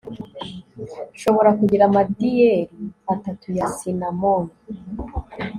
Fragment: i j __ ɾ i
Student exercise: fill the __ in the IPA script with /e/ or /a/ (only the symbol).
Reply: e